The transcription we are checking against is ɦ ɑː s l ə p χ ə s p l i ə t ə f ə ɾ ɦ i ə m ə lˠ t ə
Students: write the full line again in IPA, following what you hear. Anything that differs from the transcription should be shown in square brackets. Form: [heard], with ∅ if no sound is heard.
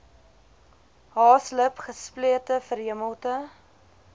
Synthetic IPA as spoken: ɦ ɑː s l ə p χ ə s p l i ə t ə f ə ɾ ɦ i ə m ə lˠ t ə